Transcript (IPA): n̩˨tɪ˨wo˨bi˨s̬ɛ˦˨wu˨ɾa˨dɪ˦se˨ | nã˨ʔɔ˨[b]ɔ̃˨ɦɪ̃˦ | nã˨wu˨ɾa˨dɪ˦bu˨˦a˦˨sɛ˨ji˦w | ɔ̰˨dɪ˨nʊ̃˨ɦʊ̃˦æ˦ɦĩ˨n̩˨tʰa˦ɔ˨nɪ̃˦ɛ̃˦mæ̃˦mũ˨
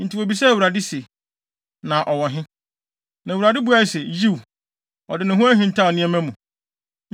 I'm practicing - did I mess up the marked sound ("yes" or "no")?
yes